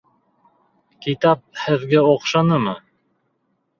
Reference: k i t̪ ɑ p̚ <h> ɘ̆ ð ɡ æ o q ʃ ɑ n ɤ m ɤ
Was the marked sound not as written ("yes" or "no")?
no